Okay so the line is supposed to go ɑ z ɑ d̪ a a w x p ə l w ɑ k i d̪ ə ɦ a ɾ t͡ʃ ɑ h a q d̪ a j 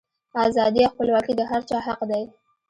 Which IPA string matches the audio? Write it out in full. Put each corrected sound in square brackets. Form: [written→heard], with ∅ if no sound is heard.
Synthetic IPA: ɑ z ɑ d̪ [a→i] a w x p ə l w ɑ k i d̪ ə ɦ a ɾ t͡ʃ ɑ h a q d̪ a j

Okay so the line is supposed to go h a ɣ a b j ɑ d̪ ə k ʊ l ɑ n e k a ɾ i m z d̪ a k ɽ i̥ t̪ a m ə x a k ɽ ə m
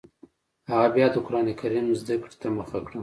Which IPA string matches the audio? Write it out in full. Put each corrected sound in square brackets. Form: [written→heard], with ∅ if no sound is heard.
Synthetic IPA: h a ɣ a b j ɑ d̪ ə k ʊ [l→ɾ] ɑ n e k a ɾ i m z d̪ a k ɽ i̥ t̪ a m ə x a k ɽ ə m

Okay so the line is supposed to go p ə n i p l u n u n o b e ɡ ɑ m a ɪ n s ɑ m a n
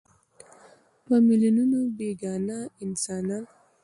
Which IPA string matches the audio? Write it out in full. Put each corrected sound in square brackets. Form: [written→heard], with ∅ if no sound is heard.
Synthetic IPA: p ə [n→m] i [p→∅] l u n u n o b e ɡ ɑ [m→n] a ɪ n s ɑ [m→n] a n

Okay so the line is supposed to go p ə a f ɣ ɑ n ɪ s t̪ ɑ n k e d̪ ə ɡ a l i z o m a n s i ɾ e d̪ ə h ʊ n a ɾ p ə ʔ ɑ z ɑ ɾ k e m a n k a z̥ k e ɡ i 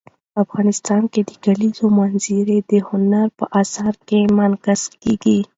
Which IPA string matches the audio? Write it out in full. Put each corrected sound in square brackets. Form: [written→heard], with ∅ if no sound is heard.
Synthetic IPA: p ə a f ɣ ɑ n ɪ s t̪ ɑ n k e d̪ ə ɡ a l i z o m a n [s→z] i ɾ e d̪ ə h ʊ n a ɾ p ə ʔ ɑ [z→s] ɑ ɾ k e m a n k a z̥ k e ɡ i

